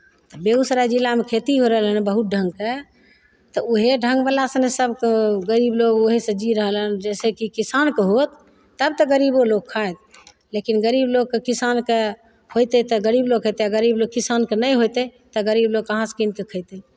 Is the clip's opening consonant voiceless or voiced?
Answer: voiceless